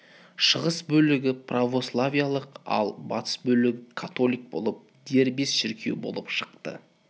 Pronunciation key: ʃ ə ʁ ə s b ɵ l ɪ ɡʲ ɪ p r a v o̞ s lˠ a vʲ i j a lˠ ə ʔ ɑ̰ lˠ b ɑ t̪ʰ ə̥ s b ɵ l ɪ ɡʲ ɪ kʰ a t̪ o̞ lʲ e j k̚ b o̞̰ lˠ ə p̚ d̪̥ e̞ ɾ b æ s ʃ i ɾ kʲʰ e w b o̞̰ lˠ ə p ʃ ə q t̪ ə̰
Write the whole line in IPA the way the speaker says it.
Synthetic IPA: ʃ ə ʁ ə s b ɵ l ɪ ɡʲ ɪ p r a v o̞ s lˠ a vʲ i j a lˠ ə q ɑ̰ lˠ b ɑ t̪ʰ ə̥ s b ɵ l ɪ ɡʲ ɪ kʰ a t̪ o̞ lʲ i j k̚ b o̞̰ lˠ ə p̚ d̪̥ e̞ ɾ b e s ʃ ɪ ɾ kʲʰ e w b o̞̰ lˠ ə p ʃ ə q t̪ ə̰